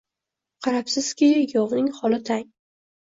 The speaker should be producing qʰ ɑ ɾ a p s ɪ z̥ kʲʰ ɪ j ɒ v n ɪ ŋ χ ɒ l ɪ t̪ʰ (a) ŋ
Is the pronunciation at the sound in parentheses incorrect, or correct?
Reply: correct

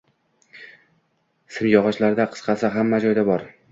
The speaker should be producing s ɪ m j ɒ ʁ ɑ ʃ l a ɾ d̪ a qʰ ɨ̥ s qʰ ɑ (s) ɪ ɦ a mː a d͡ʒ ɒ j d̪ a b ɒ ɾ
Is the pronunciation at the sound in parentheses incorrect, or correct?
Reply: correct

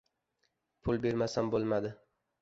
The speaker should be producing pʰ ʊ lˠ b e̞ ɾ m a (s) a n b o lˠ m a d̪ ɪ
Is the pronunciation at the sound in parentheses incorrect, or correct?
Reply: correct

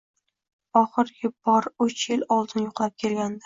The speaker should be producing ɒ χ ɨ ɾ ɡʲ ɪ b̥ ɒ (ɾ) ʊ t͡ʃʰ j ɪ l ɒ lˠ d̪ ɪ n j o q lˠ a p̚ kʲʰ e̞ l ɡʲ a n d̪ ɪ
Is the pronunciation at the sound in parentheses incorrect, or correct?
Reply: correct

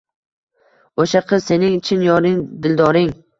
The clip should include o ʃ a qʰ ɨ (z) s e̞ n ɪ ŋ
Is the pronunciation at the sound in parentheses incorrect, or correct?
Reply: correct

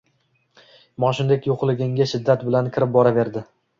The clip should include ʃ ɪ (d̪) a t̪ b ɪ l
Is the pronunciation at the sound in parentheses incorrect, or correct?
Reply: incorrect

